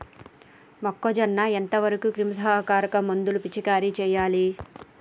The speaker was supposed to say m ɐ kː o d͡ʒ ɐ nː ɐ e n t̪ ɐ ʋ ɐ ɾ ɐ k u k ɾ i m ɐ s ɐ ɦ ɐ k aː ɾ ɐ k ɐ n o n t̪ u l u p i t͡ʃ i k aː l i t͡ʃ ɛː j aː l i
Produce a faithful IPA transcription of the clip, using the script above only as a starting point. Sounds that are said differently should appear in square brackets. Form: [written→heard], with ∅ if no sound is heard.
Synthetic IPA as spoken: m ɐ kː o d͡ʒ ɐ nː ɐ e n t̪ ɐ ʋ ɐ ɾ ɐ k u k ɾ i m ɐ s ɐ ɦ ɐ k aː ɾ ɐ k ɐ [n→m] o n [t̪→d̪] u l u p i t͡ʃ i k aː [l→ɾ] i t͡ʃ ɛː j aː l i